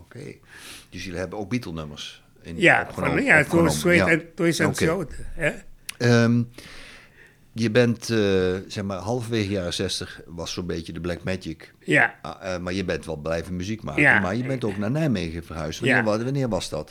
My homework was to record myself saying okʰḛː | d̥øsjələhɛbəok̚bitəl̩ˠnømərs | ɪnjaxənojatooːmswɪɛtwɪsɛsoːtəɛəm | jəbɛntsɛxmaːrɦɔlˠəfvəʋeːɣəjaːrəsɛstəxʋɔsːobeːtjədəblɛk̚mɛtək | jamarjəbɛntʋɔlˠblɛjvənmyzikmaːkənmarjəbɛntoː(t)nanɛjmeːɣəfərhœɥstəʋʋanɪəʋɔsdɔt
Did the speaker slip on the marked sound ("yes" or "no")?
yes